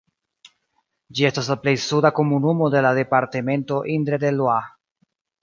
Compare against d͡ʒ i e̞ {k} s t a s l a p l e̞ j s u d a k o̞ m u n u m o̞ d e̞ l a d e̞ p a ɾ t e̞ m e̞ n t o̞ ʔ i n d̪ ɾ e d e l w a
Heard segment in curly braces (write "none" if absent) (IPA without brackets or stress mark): none